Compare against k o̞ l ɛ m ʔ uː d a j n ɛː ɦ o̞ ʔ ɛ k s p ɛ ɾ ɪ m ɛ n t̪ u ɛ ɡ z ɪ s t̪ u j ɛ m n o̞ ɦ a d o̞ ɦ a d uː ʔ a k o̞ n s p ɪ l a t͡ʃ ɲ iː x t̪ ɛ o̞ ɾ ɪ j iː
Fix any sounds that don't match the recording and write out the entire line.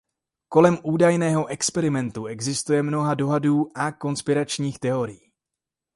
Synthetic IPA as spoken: k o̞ l ɛ m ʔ uː d a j n ɛː ɦ o̞ ʔ ɛ k s p ɛ ɾ ɪ m ɛ n t̪ u ɛ ɡ z ɪ s t̪ u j ɛ m n o̞ ɦ a d o̞ ɦ a d uː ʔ a k o̞ n s p ɪ ɾ a t͡ʃ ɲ iː x t̪ ɛ o̞ ɾ ɪ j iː